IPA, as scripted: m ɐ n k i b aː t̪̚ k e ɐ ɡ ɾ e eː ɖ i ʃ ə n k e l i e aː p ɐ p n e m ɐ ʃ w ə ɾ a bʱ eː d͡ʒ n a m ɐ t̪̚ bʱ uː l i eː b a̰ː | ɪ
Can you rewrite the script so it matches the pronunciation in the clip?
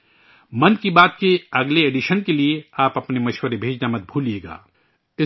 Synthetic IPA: m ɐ n k i b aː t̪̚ k e ɐ ɡ l e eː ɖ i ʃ ə n k e l i e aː p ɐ p n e m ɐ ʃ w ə ɾ e bʱ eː d͡ʒ n a m ɐ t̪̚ bʱ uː l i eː ɡ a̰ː | ɪ